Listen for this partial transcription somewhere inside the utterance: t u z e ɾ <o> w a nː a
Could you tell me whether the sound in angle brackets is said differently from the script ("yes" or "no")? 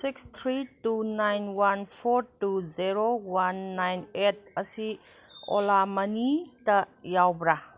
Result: no